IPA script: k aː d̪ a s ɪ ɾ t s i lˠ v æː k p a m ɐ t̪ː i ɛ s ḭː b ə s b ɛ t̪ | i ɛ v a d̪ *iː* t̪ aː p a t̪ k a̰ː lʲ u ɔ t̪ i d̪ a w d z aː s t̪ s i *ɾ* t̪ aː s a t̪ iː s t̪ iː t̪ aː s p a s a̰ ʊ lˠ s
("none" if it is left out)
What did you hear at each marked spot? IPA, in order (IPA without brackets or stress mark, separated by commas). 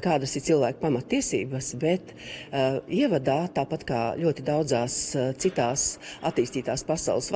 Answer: aː, none